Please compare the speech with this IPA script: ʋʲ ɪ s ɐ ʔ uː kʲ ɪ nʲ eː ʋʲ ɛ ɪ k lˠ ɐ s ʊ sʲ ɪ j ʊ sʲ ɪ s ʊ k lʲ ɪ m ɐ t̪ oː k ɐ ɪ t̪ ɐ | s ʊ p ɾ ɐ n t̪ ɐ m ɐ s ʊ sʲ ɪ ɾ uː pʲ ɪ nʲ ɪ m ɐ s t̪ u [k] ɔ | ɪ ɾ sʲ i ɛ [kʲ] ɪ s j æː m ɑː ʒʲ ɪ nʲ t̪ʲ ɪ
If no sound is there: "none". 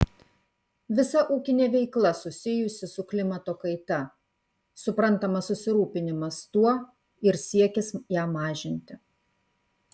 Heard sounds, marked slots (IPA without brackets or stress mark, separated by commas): none, kʲ